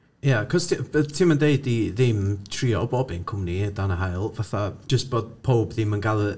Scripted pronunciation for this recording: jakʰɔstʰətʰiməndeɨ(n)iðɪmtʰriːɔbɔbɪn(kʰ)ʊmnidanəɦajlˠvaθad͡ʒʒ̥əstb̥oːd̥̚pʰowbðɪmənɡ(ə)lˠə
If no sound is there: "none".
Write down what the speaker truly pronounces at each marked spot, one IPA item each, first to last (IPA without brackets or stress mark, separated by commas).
d, kʰ, a